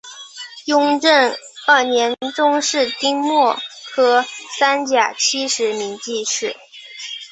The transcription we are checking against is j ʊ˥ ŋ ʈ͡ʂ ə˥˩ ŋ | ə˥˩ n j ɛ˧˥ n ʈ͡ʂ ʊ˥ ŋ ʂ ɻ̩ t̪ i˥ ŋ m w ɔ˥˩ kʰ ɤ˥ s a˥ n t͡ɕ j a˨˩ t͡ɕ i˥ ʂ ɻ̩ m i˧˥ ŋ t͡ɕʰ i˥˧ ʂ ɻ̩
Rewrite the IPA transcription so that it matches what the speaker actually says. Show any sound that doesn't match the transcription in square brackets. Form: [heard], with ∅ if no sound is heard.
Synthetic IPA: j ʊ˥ ŋ ʈ͡ʂ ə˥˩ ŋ | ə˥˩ n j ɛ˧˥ n ʈ͡ʂ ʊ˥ ŋ ʂ ɻ̩ t̪ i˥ ŋ m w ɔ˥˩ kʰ ɤ˥ s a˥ n t͡ɕ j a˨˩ [t͡ɕʰ] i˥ ʂ ɻ̩ m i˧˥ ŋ [t͡ɕ] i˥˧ ʂ ɻ̩